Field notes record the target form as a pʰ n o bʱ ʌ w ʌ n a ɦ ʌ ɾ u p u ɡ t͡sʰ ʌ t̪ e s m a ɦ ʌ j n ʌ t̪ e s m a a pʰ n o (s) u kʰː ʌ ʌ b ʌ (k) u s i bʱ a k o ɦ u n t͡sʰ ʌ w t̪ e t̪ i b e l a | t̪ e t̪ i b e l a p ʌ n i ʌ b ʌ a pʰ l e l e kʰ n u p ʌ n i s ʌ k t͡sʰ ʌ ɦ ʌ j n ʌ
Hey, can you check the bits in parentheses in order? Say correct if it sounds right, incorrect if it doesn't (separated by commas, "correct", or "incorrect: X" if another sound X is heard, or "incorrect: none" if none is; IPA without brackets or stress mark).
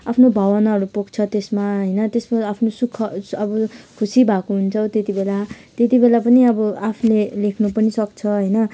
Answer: correct, incorrect: kʰ